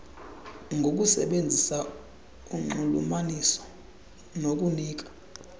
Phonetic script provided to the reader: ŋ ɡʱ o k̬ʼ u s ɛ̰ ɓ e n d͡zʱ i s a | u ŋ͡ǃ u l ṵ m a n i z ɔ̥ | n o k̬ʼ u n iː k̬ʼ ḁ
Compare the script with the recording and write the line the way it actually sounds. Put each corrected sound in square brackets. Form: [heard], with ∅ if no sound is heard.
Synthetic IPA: ŋ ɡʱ o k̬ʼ u s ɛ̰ ɓ e n d͡zʱ i s a | u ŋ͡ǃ u l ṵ m a n i [s] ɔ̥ | n o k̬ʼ u n iː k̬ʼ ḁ